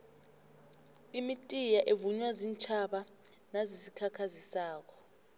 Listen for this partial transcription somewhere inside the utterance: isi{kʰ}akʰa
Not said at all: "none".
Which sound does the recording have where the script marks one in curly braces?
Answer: kʰ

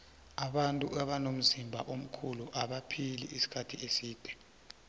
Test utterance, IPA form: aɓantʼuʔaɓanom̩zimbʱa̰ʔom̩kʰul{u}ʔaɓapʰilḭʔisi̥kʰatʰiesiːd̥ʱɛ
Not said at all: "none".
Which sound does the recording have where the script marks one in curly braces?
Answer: u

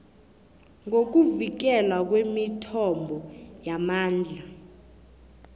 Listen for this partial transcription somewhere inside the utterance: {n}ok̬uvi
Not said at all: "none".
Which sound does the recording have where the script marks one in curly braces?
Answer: ŋ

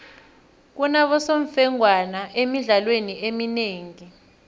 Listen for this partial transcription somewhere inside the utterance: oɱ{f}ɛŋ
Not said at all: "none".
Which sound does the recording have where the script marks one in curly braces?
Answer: f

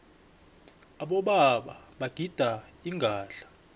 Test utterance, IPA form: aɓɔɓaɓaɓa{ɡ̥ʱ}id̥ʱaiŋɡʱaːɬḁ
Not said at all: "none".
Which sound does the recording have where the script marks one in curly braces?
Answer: ɡ̥ʱ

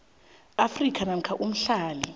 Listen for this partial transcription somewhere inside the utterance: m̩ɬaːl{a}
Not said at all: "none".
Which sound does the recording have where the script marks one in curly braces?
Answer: i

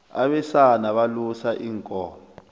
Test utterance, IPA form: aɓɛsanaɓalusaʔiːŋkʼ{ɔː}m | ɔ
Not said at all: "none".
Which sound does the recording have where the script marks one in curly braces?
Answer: ɔː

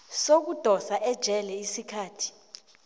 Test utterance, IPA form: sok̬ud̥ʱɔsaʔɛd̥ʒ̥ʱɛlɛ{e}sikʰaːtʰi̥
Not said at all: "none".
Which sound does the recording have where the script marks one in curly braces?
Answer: i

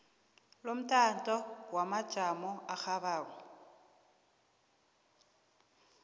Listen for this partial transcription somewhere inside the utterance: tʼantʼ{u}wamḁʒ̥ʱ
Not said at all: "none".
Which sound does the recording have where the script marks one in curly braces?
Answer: ɔ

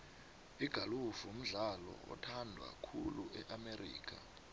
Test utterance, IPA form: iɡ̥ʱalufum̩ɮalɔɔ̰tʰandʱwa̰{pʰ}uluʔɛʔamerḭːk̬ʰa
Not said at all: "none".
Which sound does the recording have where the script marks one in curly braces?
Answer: kʰ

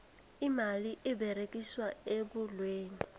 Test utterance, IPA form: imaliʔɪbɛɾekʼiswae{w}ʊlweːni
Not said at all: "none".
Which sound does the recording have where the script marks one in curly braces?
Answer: b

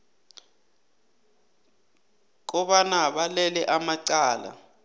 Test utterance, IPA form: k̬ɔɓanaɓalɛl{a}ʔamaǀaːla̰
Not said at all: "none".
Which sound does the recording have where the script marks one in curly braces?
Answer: ɛ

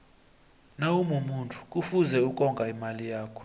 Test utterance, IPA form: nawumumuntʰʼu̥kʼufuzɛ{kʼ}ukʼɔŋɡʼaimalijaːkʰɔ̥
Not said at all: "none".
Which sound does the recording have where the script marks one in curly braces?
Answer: none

